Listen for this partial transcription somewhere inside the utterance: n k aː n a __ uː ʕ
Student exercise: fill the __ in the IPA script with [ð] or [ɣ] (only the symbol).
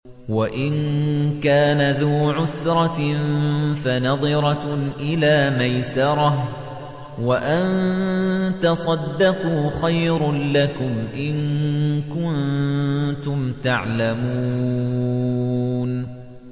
ð